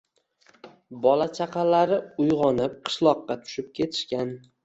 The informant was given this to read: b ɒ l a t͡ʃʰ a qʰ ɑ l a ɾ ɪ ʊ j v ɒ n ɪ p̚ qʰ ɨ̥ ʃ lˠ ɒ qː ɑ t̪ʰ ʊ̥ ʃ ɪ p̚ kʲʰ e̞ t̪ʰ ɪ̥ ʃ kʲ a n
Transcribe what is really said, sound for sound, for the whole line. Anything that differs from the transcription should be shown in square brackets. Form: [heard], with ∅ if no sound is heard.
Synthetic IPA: b ɒ l a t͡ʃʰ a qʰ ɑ l a ɾ ɪ ʊ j [ʁ] ɒ n ɪ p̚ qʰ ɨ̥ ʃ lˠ ɒ qː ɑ t̪ʰ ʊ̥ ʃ ɪ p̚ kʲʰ e̞ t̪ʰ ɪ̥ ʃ kʲ a n

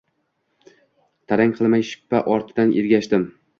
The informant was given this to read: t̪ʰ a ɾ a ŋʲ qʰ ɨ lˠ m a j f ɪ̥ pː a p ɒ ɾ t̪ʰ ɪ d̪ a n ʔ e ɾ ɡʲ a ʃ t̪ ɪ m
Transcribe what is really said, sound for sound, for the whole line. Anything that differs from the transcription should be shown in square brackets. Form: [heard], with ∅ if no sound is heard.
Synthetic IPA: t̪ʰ a ɾ a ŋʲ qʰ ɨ lˠ m a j [ʃ] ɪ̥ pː a [ʔ] ɒ ɾ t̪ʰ ɪ d̪ a n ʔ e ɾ ɡʲ a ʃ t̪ ɪ m

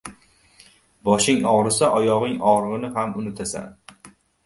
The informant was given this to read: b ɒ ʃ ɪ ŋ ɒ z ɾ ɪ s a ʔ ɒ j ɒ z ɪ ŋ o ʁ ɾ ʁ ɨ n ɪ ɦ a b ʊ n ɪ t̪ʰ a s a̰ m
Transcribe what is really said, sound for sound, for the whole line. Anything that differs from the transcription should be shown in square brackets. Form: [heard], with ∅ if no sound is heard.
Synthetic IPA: b ɒ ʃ ɪ ŋ ɒ [ʁ] ɾ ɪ s a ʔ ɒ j ɒ [ʁ] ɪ ŋ [ɒ] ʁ ɾ ʁ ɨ n ɪ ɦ a [m] ʊ n ɪ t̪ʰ a s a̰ [n]

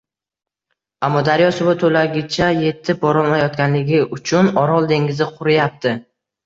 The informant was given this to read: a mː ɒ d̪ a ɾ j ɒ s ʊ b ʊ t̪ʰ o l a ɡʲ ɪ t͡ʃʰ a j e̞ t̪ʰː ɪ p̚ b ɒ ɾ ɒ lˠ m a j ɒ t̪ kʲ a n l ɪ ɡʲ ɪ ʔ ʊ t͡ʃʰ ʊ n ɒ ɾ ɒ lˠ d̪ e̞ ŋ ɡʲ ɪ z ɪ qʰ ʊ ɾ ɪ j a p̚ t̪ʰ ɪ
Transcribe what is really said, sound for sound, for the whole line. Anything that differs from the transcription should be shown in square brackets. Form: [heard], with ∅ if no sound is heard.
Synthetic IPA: a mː ɒ d̪ a ɾ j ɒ s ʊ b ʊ t̪ʰ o l a ɡʲ ɪ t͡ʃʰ a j e̞ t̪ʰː ɪ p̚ b ɒ ɾ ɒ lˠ m a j ɒ t̪ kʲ a n l ɪ ɡʲ ɪ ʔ ʊ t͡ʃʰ ʊ n ɒ ɾ ɒ lˠ d̪ e̞ ŋ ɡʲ ɪ z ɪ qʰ ʊ ɾ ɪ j a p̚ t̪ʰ ɪ

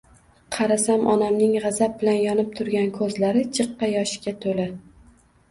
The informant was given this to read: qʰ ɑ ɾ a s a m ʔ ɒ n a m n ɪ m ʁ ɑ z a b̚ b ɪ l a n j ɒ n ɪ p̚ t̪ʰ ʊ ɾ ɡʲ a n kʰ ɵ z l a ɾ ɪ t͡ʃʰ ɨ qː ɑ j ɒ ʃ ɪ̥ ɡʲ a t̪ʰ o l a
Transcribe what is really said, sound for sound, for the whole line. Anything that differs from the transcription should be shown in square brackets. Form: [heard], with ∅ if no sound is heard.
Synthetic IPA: qʰ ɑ ɾ a s a m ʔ ɒ n a m n ɪ [ŋ] ʁ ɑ z a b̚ b ɪ l a n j ɒ n ɪ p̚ t̪ʰ ʊ ɾ ɡʲ a n kʰ ɵ z l a ɾ ɪ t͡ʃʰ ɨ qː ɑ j ɒ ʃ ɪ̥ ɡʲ a t̪ʰ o l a

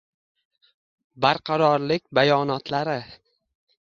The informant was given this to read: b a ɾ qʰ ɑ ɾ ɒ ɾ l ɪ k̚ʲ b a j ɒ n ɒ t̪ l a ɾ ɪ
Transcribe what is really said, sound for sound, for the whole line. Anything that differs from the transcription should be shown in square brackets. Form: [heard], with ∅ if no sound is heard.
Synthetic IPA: b a ɾ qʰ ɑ ɾ ɒ ɾ l ɪ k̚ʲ b a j ɒ n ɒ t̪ l a ɾ ɪ

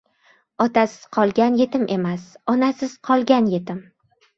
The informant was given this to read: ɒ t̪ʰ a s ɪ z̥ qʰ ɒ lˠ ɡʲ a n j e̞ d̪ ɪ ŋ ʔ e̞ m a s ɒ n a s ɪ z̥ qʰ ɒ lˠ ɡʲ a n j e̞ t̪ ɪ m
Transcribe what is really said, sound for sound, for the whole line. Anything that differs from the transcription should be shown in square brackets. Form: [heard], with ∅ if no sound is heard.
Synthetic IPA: ɒ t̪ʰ a s ɪ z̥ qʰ ɒ lˠ ɡʲ a n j e̞ [t̪] ɪ [m] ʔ e̞ m a s ɒ n a s ɪ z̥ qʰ ɒ lˠ ɡʲ a n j e̞ t̪ ɪ m

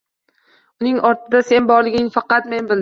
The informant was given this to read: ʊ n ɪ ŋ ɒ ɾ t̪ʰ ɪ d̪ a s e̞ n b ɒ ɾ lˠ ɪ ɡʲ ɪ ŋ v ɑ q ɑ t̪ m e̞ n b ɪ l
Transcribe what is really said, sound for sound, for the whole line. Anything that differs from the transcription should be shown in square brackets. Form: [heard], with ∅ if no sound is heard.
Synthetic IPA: ʊ n ɪ ŋ ɒ ɾ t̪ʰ ɪ d̪ a s e̞ n b ɒ ɾ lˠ ɪ ɡʲ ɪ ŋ [f] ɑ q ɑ t̪ m e̞ n b ɪ l

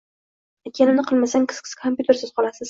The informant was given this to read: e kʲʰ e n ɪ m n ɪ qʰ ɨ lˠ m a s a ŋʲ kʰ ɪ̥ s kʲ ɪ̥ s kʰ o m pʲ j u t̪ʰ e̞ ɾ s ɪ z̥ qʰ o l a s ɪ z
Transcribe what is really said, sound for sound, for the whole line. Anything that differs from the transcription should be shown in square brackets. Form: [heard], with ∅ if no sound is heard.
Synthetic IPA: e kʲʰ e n ɪ m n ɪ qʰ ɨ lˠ m a s a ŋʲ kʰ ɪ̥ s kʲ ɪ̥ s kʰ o m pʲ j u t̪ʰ e̞ ɾ s ɪ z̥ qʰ [ɒ] l a s ɪ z

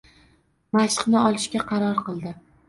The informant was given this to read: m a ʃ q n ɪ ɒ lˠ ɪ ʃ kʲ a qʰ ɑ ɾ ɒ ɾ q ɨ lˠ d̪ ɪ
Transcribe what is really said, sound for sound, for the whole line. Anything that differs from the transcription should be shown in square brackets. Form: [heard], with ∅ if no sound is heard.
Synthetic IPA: m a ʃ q n ɪ ɒ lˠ ɪ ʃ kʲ a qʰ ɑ ɾ ɒ ɾ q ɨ lˠ d̪ ɪ

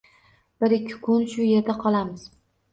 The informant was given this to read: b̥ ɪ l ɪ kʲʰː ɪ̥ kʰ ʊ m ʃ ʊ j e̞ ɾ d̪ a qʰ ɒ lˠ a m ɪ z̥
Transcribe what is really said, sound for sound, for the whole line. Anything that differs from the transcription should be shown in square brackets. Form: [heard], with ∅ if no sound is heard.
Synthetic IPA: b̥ ɪ [ɾ] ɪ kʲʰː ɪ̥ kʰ ʊ [n] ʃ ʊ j e̞ ɾ d̪ a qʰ ɒ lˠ a m ɪ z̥

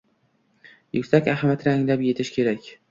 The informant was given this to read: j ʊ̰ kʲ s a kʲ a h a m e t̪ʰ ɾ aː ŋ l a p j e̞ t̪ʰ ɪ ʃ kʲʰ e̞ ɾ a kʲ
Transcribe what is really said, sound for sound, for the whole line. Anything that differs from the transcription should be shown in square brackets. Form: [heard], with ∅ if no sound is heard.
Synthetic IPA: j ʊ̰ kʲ s a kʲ a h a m [a] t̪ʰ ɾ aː ŋ l a p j e̞ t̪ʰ ɪ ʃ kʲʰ e̞ ɾ a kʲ

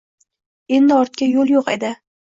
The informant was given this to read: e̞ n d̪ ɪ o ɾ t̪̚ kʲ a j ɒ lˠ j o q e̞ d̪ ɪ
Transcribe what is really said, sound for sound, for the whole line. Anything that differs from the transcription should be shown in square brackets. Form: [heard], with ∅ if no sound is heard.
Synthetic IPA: e̞ n d̪ ɪ [ɒ] ɾ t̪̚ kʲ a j [o] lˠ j o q e̞ d̪ ɪ

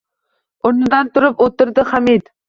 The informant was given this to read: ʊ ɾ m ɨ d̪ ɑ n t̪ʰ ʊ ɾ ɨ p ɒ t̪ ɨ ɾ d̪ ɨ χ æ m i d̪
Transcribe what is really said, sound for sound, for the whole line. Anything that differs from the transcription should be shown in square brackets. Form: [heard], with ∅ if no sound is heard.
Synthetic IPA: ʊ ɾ [n] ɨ d̪ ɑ n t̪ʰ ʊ ɾ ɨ p [o] t̪ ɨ ɾ d̪ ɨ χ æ m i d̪

